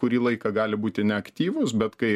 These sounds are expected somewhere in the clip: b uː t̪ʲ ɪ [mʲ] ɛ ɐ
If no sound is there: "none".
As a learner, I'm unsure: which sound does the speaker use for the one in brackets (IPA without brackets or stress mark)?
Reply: nʲ